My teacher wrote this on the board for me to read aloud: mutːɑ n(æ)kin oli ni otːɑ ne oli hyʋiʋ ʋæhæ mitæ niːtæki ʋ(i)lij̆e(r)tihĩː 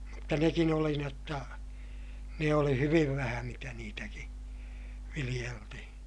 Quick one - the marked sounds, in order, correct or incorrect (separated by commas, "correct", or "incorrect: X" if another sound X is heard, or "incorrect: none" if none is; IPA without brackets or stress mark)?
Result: incorrect: e, correct, incorrect: l